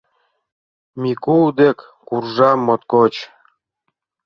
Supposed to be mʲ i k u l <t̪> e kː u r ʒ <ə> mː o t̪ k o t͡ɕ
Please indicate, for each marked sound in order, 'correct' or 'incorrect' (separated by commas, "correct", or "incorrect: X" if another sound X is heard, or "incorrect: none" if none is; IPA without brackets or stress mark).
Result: incorrect: d̪, incorrect: ɑ